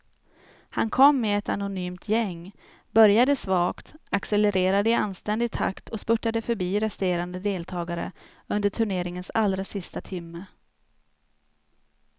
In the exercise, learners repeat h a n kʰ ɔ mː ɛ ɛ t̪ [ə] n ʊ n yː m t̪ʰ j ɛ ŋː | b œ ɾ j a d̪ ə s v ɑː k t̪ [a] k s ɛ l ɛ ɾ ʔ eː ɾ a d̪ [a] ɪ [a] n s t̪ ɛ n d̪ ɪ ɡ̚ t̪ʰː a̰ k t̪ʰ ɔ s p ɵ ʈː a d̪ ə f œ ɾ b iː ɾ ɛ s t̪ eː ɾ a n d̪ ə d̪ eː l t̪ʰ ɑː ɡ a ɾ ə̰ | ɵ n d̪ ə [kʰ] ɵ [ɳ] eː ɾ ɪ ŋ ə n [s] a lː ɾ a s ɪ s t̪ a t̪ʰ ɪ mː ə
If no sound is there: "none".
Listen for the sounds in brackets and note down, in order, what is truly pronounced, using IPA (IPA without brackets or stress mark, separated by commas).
a, a, ə, a, ʈʰ, ɳ, s